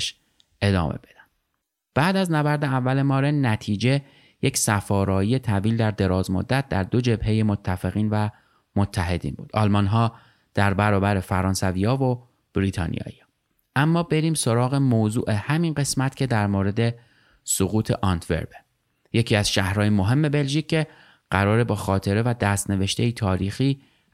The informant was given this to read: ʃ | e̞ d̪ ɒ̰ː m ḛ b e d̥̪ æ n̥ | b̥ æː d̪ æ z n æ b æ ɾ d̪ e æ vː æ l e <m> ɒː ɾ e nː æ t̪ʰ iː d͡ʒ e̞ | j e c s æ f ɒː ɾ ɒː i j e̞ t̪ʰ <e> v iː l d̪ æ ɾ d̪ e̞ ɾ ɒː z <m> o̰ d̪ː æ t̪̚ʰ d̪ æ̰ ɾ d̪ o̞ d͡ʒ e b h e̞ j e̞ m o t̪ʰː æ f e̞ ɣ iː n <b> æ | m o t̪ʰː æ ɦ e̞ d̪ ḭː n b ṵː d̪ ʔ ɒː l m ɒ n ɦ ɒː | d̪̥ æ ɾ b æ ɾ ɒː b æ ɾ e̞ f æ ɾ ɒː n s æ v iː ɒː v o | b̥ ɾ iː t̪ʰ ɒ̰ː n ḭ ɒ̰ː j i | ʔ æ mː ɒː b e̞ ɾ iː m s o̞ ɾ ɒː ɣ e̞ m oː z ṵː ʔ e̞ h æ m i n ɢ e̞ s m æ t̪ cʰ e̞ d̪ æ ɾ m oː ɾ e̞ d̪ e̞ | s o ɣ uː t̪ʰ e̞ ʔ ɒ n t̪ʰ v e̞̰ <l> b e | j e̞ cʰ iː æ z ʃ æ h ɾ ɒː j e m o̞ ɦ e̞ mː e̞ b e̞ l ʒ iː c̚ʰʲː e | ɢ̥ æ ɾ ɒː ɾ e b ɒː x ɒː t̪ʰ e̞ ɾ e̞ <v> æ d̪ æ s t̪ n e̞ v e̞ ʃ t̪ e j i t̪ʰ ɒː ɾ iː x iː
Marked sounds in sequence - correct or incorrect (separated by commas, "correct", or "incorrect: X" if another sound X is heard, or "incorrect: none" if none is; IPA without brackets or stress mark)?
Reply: correct, incorrect: æ, correct, incorrect: v, incorrect: ɾ, correct